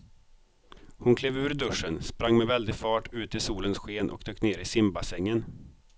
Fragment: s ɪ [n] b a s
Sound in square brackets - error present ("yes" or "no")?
yes